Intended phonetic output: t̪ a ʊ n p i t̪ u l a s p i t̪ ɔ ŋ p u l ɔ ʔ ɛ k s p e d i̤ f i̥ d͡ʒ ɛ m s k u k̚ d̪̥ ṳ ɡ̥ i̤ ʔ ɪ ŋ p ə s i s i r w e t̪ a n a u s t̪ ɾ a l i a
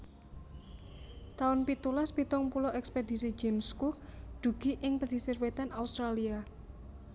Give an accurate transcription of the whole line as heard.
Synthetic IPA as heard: t̪ a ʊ n p i t̪ u l a s p i t̪ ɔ ŋ p u l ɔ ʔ ɛ k s p e d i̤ s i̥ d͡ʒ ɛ m s k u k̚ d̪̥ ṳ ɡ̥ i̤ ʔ ɪ ŋ p ə s i s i r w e t̪ a n a u s t̪ ɾ a l i a